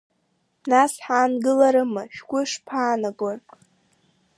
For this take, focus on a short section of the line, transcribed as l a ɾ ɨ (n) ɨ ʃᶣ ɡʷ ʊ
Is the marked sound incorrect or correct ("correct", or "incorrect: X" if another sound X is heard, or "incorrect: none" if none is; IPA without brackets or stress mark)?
incorrect: m